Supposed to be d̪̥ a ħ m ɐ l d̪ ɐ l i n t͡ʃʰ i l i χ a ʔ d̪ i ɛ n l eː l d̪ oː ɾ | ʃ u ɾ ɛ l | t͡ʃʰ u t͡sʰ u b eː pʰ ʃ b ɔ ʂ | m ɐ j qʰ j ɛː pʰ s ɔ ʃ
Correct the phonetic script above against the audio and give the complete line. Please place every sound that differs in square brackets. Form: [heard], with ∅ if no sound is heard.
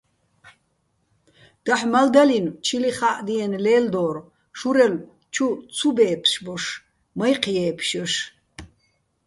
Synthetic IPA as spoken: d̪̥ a ħ m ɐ l d̪ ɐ l i n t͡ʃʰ i l i χ a ʔ d̪ i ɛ n l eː l d̪ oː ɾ | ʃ u ɾ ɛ l | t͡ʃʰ u t͡sʰ u b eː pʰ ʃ b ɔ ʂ | m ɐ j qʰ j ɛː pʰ [ʃ] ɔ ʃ